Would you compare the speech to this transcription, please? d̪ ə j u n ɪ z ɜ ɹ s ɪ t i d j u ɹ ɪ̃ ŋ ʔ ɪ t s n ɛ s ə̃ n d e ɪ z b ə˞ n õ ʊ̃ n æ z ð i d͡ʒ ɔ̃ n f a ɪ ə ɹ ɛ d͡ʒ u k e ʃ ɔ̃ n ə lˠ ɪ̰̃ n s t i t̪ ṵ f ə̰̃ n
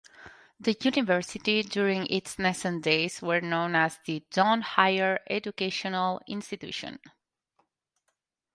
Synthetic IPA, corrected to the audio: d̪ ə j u n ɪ v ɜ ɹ s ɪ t i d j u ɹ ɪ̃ ŋ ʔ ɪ t s n ɛ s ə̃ n d e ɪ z w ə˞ n õ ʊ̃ n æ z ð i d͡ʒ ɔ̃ n h a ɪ ə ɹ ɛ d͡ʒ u k e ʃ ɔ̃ n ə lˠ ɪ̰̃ n s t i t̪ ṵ ʃ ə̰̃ n